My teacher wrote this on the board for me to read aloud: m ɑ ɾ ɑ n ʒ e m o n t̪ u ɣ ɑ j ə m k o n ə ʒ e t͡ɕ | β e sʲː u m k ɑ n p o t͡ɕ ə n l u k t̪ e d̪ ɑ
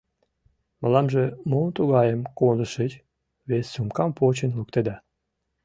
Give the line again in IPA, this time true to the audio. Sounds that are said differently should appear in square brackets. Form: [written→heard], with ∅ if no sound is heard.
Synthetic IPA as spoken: m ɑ [ɾ→l] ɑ [n→m] ʒ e m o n t̪ u ɣ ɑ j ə m k o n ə [ʒ→ʃ] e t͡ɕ | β e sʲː u m k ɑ [n→m] p o t͡ɕ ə n l u k t̪ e d̪ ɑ